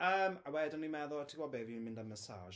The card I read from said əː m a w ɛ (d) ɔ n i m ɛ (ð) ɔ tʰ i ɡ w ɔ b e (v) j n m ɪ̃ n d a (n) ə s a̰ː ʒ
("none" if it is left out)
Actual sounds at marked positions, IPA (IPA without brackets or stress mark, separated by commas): d, ð, v, m